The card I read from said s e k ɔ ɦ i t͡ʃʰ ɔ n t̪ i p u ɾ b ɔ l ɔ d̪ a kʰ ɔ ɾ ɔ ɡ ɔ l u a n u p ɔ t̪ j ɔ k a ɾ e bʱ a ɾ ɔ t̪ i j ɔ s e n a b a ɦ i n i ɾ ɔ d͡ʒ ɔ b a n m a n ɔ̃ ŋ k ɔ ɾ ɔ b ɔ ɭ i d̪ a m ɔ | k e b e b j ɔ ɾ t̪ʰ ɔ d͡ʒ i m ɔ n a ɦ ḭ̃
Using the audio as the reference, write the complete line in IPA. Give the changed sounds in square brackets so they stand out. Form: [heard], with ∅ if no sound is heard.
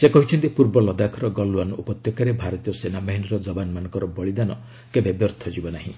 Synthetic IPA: s e k ɔ ɦ i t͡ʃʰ ɔ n t̪ i p u ɾ b ɔ l ɔ d̪ a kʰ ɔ ɾ ɔ ɡ ɔ l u a n u p ɔ t̪ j ɔ k a ɾ e bʱ a ɾ ɔ t̪ i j ɔ s e n a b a ɦ i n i ɾ ɔ d͡ʒ ɔ b a n m a n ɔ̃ ŋ k ɔ ɾ ɔ b ɔ ɭ i d̪ a [n] ɔ | k e b e b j ɔ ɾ t̪ʰ ɔ d͡ʒ i [b] ɔ n a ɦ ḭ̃